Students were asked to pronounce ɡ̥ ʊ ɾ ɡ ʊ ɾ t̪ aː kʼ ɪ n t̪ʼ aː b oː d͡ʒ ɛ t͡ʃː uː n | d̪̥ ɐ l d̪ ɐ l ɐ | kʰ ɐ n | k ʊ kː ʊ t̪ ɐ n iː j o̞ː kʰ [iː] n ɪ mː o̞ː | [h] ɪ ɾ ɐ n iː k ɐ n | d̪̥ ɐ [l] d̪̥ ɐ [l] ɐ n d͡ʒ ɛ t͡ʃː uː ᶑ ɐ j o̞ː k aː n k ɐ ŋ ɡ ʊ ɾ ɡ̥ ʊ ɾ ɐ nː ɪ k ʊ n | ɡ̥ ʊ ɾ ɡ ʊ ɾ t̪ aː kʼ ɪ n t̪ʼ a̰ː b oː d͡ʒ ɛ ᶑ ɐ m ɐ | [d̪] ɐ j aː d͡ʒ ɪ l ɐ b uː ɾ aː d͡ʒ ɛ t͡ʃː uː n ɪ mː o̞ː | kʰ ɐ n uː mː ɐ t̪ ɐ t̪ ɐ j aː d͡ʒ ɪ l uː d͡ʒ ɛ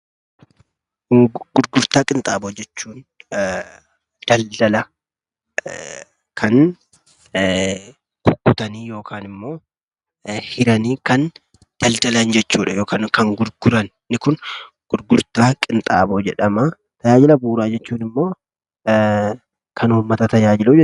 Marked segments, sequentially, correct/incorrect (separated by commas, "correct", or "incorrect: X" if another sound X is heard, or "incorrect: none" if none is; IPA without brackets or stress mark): incorrect: aː, correct, correct, correct, incorrect: t̪